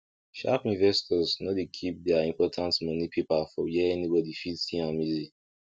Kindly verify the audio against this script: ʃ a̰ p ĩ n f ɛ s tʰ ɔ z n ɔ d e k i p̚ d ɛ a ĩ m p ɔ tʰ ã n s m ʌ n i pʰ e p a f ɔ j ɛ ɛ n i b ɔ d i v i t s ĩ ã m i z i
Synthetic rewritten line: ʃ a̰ p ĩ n v ɛ s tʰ ɔ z n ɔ d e kʰ i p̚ d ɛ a ĩ m p ɔ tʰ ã n t m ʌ n i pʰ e p a f ɔ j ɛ ɛ n i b ɔ d i f i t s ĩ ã m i z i